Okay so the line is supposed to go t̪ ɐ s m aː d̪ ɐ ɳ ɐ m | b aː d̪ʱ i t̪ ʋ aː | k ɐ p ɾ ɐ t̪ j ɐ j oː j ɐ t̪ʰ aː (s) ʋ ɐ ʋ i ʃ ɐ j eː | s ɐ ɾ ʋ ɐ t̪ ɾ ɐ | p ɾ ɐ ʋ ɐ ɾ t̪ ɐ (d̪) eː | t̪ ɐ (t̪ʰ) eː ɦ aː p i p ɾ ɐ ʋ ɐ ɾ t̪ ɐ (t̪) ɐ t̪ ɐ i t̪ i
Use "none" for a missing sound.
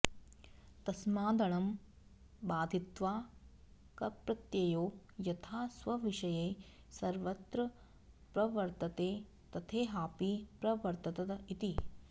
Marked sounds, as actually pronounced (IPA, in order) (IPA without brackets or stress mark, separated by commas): s, t̪, t̪ʰ, t̪